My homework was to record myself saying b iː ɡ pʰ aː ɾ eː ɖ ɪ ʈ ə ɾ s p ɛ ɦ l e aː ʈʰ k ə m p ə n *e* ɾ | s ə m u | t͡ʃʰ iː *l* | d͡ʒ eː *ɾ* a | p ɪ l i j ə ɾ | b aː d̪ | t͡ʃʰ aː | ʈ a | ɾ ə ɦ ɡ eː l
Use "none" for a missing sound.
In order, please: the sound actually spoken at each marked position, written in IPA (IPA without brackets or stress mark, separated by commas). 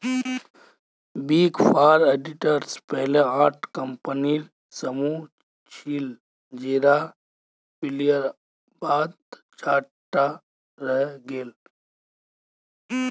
i, l, ɾ